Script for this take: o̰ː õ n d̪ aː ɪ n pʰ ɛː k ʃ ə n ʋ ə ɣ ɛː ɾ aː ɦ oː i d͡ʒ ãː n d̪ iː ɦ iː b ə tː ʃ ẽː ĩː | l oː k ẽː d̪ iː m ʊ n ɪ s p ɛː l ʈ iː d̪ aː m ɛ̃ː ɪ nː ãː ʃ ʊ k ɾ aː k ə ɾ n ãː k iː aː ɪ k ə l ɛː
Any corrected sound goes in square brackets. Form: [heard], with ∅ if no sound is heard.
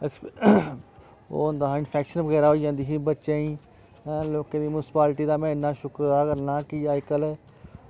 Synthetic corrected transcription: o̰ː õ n d̪ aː ɪ n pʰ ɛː k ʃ ə n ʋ ə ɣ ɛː ɾ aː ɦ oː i d͡ʒ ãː n d̪ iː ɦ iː b ə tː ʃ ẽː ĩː | l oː k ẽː d̪ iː m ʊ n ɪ s p [aː] l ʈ iː d̪ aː m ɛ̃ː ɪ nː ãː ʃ ʊ k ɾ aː k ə ɾ n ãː k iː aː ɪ k ə l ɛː

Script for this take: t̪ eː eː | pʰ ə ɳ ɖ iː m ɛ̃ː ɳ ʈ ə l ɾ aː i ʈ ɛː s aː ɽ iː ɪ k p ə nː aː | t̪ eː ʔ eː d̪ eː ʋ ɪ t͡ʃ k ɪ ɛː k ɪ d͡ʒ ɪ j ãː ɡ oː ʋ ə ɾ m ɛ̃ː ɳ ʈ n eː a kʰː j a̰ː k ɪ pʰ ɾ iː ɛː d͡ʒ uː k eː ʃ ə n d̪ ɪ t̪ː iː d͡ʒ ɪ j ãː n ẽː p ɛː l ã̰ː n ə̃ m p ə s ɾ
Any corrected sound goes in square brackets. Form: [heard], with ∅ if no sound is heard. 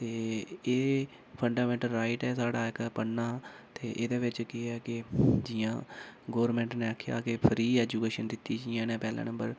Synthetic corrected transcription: t̪ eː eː | pʰ ə ɳ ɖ [aː] m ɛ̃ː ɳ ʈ ə l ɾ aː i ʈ ɛː s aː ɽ [aː] ɪ k p ə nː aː | t̪ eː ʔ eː d̪ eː ʋ ɪ t͡ʃ k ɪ ɛː k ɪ d͡ʒ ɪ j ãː ɡ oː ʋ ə ɾ m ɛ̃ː ɳ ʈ n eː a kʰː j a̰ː k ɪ pʰ ɾ iː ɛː d͡ʒ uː k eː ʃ ə n d̪ ɪ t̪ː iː d͡ʒ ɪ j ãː n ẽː p ɛː l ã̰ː n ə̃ m [b] ə [∅] ɾ

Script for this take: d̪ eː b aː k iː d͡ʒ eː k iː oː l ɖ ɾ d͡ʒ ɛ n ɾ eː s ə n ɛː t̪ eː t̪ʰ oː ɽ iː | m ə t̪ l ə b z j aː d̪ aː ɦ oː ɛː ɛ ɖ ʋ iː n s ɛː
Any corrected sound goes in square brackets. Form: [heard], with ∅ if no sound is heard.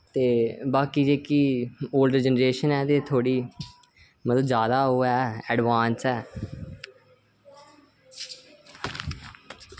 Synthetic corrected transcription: [t̪] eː b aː k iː d͡ʒ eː k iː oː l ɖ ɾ d͡ʒ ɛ n ɾ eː [ʃ] ə n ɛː t̪ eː t̪ʰ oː ɽ iː | m ə t̪ l ə b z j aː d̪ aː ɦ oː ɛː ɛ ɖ ʋ [aː] n s ɛː

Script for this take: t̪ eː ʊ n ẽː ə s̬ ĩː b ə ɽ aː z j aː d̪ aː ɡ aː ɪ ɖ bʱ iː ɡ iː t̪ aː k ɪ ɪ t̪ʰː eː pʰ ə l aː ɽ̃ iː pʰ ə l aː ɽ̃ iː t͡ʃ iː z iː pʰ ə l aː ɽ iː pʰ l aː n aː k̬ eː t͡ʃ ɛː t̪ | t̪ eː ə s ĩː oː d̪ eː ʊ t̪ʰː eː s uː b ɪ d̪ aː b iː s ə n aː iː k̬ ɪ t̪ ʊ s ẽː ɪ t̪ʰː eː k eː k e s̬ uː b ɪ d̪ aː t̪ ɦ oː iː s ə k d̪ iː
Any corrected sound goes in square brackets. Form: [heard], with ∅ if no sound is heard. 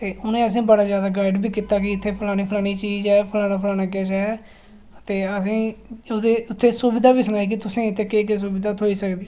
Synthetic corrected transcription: t̪ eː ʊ n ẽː ə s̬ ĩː b ə ɽ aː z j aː d̪ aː ɡ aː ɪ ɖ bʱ iː [k] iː t̪ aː k ɪ ɪ t̪ʰː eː pʰ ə l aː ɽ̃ iː pʰ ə l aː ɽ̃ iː t͡ʃ iː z [ɛː] pʰ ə l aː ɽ [aː] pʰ l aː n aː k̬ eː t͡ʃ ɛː [∅] | t̪ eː ə s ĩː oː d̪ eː ʊ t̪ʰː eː s uː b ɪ d̪ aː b iː s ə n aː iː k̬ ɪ t̪ ʊ s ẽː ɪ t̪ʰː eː k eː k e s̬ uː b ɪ d̪ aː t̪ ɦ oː iː s ə k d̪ iː

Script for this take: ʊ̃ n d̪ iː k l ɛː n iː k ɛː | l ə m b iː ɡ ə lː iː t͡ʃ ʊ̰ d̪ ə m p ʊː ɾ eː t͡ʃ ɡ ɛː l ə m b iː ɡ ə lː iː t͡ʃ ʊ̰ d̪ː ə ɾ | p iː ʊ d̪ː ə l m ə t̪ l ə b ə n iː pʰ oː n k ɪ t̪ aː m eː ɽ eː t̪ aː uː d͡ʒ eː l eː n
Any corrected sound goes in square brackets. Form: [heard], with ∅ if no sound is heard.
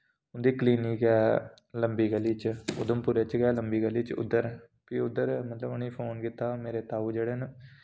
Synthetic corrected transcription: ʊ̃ n d̪ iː k l [iː] n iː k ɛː | l ə m b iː ɡ ə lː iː t͡ʃ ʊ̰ d̪ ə m p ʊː ɾ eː t͡ʃ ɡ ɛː l ə m b iː ɡ ə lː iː t͡ʃ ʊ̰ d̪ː ə ɾ | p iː ʊ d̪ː ə [ɾ] m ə t̪ l ə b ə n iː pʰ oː n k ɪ t̪ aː m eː [ɾ] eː t̪ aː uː d͡ʒ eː [ɽ] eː n

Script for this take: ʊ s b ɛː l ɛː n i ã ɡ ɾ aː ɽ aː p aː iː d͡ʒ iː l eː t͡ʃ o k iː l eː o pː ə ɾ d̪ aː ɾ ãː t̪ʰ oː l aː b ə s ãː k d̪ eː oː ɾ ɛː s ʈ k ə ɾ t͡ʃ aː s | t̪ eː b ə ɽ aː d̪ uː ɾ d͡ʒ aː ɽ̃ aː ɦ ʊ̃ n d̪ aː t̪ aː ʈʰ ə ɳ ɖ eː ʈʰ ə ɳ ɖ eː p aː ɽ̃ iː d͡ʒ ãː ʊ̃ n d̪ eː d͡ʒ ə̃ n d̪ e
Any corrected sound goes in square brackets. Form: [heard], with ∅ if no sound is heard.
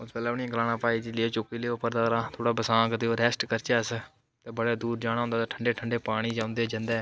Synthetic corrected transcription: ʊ s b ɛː l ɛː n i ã ɡ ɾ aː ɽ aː p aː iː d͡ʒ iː l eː t͡ʃ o k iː l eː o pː ə ɾ d̪ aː ɾ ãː t̪ʰ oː [ɽ] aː b ə s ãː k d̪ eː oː ɾ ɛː s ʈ k ə ɾ t͡ʃ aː s | t̪ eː b ə ɽ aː d̪ uː ɾ d͡ʒ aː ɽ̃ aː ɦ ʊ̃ n d̪ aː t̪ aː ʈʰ ə ɳ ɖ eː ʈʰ ə ɳ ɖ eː p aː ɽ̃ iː d͡ʒ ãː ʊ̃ n d̪ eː d͡ʒ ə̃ n d̪ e

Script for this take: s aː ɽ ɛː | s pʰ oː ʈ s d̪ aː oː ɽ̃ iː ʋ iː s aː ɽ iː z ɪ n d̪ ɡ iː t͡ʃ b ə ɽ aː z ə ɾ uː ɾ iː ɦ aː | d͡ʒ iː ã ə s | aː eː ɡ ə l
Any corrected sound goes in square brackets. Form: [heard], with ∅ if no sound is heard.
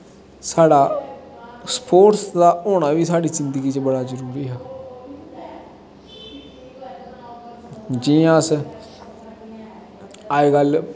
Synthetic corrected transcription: s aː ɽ [aː] | s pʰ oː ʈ s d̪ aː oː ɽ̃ [aː] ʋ iː s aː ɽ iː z ɪ n d̪ ɡ iː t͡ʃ b ə ɽ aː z ə ɾ uː ɾ iː ɦ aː | d͡ʒ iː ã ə s | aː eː ɡ ə l

